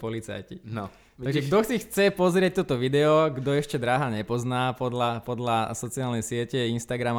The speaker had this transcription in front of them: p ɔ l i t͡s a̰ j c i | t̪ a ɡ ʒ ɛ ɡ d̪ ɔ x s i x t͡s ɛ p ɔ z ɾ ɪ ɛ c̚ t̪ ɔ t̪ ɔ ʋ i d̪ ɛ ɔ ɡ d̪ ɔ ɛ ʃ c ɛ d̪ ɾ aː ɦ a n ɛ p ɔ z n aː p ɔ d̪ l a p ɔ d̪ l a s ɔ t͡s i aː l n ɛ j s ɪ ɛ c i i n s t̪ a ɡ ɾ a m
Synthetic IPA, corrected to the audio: p ɔ l i t͡s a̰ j c i | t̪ a ɡ ʒ ɛ ɡ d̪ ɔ x t͡s i x t͡s ɛ p ɔ z ɾ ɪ ɛ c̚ t̪ ɔ t̪ ɔ ʋ i d̪ ɛ ɔ ɡ d̪ ɔ ɛ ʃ c ɛ d̪ ɾ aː ɦ a ɲ ɛ p ɔ z n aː p ɔ d̪ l a p ɔ d̪ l a s ɔ t͡s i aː l n ɛ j s ɪ ɛ c ɛ i n s t̪ a ɡ ɾ a m